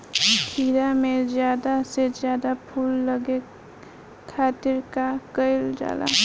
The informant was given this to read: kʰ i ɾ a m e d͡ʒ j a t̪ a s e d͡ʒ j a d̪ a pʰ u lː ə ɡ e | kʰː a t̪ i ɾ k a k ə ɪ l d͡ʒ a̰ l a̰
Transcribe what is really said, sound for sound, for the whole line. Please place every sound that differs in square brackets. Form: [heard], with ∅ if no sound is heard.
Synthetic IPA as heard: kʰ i ɾ a m e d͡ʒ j a [d̪] a s e d͡ʒ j a d̪ a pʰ u lː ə ɡ e | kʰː a t̪ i ɾ k a k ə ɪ l d͡ʒ a̰ l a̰